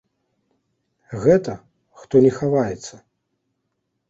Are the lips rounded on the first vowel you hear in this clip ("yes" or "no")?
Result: no